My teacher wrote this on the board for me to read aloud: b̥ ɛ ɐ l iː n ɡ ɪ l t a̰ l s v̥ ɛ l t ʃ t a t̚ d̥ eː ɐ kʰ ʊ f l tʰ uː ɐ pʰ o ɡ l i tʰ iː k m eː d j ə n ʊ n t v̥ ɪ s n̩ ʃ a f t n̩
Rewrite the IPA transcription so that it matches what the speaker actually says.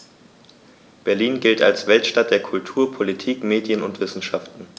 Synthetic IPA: b̥ ɛ ɐ l iː n ɡ ɪ l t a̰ l s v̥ ɛ l t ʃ t a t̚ d̥ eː ɐ kʰ ʊ l tʰ uː ɐ pʰ o l i tʰ iː k m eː d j ə n ʊ n t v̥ ɪ s n̩ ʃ a f t n̩